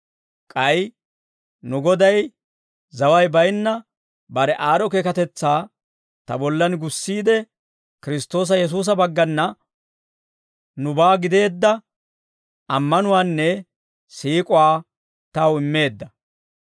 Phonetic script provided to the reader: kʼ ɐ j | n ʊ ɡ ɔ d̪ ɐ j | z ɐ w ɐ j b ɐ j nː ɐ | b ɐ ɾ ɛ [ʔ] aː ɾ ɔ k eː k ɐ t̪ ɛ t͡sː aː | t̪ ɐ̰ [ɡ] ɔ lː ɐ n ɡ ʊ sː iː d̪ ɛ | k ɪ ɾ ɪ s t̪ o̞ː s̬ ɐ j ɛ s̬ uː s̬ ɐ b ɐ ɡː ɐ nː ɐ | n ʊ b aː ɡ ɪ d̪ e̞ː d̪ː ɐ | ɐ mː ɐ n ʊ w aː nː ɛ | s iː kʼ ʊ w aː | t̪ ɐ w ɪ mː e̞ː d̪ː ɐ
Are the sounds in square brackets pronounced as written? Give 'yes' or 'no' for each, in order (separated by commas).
yes, no